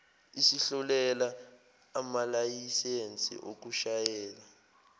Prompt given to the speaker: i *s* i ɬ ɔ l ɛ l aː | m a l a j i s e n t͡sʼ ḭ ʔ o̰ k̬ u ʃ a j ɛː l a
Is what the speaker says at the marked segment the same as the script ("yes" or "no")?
yes